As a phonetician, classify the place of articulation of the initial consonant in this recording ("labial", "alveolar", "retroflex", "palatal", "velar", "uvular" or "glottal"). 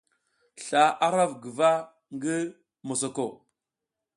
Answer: alveolar